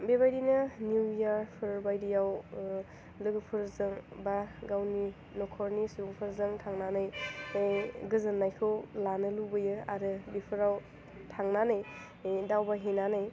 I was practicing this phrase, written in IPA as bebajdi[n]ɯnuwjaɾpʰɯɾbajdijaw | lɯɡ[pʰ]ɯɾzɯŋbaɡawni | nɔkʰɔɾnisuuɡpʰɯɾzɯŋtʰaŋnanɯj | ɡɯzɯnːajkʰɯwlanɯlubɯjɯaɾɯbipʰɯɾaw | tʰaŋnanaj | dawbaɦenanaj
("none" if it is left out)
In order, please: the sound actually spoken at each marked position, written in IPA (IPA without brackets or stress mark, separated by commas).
n, pʰ